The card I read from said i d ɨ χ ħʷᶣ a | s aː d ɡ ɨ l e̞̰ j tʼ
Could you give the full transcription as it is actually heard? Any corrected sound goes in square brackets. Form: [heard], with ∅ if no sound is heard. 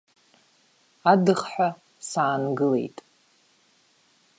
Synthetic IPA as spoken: [a] d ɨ χ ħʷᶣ a | s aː [n] ɡ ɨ l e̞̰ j tʼ